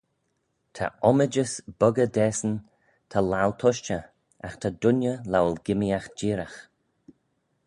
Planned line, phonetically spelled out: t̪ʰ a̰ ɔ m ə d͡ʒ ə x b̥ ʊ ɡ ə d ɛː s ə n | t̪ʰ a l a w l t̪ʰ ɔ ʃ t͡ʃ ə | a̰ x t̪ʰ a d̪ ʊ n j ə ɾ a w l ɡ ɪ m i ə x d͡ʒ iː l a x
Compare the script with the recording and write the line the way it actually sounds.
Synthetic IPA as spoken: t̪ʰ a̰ ɔ m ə d͡ʒ ə s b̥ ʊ ɡ ə d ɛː s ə n | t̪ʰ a l a w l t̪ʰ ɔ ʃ t͡ʃ ə | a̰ x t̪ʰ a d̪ ʊ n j ə l a w l ɡ ɪ m i a x d͡ʒ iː ɾ a x